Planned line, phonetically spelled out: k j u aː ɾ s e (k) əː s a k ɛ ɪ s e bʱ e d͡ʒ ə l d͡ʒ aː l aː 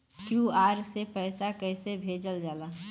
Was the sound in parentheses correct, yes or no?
no